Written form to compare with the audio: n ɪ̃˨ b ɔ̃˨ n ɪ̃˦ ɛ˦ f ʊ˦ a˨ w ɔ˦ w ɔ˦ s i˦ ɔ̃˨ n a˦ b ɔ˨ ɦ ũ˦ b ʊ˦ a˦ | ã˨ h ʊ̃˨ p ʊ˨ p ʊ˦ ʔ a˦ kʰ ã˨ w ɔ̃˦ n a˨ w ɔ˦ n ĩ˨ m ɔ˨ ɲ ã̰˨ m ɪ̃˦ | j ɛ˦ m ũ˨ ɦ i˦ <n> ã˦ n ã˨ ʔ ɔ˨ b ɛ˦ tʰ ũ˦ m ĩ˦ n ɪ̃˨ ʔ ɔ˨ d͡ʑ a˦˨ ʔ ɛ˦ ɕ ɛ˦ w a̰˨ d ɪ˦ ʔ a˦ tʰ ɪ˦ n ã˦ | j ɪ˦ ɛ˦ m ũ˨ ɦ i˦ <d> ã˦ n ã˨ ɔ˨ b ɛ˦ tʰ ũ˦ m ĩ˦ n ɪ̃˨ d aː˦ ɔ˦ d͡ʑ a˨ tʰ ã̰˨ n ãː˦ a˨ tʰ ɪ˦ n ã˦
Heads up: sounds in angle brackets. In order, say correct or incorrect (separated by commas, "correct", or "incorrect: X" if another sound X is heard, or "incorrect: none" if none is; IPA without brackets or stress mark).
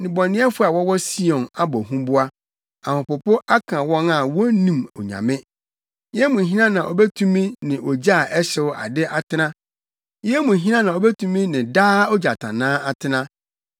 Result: correct, incorrect: n